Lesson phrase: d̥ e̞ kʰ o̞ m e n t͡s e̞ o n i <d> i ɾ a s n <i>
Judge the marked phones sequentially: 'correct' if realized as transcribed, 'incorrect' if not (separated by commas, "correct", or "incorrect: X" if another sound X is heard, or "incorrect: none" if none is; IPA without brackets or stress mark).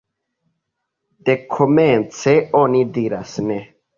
correct, incorrect: e